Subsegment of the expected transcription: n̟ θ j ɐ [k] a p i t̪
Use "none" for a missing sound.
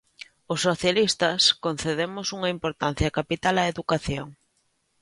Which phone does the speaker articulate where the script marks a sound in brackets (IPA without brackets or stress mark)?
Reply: k